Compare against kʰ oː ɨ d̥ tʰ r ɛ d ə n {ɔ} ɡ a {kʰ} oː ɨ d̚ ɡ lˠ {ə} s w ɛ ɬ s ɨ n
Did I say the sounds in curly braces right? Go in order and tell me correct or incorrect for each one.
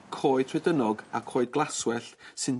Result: correct, correct, incorrect: a

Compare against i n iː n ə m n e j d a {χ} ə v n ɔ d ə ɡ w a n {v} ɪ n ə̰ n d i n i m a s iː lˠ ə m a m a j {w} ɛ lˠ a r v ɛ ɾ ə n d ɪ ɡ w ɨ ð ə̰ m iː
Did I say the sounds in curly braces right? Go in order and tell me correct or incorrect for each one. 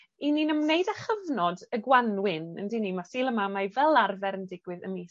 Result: correct, incorrect: w, incorrect: v

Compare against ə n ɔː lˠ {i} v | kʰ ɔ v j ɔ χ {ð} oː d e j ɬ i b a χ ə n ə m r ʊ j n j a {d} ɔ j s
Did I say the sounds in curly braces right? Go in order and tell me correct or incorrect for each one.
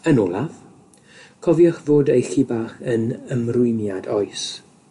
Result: incorrect: a, incorrect: v, correct

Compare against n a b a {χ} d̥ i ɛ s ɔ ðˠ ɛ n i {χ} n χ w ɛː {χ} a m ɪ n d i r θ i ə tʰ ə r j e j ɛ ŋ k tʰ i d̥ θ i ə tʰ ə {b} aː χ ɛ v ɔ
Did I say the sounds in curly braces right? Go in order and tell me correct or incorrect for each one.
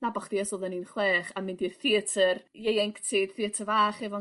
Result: correct, incorrect: none, correct, incorrect: v

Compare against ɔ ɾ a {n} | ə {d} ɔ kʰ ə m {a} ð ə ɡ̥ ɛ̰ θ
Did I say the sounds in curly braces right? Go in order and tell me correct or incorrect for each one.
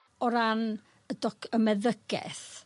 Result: correct, correct, incorrect: ɛ

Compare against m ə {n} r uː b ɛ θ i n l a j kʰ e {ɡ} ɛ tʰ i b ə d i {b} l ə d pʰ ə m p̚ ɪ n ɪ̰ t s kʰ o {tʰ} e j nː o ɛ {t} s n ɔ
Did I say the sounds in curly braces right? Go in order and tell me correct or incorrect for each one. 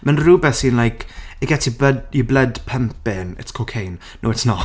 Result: correct, correct, correct, incorrect: kʰ, correct

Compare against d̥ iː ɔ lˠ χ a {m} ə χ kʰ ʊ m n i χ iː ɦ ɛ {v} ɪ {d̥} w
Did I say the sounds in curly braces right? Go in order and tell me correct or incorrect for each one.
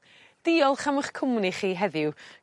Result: correct, incorrect: ð, incorrect: none

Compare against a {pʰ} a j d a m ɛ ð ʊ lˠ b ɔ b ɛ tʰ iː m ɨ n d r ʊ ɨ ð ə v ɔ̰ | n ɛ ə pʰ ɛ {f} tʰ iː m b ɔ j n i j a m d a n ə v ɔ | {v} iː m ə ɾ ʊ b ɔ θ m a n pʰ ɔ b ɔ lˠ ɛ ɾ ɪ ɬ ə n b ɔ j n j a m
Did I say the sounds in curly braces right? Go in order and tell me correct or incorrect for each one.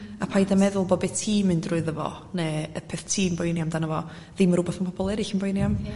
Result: correct, incorrect: θ, incorrect: ð

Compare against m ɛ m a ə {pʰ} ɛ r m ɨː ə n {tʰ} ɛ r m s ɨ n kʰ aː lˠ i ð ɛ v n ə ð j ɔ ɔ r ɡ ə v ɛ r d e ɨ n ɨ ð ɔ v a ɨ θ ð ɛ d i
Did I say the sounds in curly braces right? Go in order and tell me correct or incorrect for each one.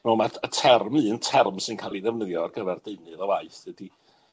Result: incorrect: tʰ, correct

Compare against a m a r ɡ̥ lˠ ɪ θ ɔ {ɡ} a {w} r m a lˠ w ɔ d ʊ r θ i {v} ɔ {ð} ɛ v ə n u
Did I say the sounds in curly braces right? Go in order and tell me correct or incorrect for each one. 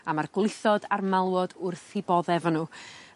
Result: incorrect: d, incorrect: none, incorrect: b, correct

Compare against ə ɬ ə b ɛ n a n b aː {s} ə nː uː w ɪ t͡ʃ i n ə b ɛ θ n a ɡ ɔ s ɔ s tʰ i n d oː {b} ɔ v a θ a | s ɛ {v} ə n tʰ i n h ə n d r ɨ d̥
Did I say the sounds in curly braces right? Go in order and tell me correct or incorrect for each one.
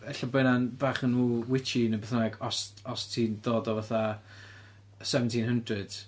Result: incorrect: χ, incorrect: d, correct

